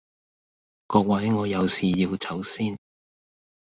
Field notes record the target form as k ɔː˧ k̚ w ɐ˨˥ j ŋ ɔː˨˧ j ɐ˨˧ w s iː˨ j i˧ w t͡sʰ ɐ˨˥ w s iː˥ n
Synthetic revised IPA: k ɔː˧ k̚ w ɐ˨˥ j ŋ ɔː˨˧ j ɐ˨˧ w s iː˨ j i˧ w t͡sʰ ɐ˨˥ w s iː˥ n